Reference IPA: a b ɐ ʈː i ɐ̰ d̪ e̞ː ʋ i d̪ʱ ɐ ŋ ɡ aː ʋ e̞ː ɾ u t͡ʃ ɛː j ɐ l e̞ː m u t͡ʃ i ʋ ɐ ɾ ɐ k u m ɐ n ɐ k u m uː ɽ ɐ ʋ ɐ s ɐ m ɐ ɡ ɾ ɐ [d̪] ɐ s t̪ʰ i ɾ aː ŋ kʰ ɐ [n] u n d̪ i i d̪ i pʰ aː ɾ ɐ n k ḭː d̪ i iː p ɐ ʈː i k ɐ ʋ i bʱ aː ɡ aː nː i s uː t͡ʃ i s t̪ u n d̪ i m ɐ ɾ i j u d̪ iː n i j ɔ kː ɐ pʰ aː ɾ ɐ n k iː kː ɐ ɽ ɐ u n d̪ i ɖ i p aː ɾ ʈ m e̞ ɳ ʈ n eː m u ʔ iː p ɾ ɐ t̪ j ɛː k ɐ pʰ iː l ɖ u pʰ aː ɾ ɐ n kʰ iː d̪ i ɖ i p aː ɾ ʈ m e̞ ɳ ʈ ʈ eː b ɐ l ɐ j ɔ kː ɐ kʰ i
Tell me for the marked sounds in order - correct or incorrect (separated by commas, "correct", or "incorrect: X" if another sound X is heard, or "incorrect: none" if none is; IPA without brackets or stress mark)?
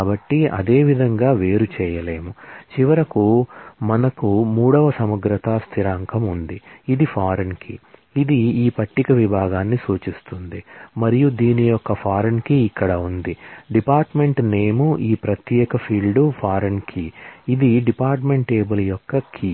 incorrect: t̪, incorrect: m